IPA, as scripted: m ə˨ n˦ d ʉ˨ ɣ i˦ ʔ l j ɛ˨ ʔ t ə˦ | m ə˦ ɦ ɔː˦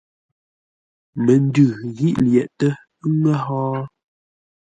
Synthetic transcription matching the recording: m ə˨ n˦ d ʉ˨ ɣ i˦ ʔ l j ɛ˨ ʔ t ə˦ | ŋ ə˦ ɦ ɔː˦